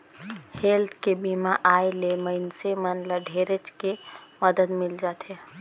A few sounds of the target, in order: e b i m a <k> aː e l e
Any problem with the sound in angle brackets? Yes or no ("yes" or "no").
yes